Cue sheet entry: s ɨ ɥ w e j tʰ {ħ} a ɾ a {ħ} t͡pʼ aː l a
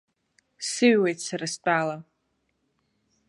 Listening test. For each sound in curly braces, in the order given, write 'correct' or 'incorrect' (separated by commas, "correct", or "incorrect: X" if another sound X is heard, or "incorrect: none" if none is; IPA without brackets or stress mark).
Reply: incorrect: s, incorrect: s